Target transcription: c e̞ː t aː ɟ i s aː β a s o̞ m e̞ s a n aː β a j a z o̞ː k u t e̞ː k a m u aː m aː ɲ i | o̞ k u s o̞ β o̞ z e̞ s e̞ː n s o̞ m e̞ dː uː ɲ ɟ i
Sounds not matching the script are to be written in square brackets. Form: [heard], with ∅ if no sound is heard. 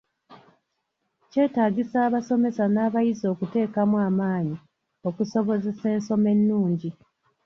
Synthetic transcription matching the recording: c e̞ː t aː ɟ i s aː β a s o̞ m e̞ s a n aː β a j [i] z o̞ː k u t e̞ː k a m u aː m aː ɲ i | o̞ k u s o̞ β o̞ z e̞ s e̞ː n s o̞ m e̞ [nː] uː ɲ ɟ i